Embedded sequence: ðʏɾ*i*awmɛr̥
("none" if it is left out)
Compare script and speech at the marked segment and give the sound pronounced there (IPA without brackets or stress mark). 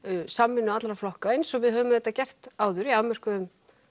i